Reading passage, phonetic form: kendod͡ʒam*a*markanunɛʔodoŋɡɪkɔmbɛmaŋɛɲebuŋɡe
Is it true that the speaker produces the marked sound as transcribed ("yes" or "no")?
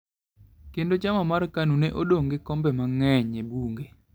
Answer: yes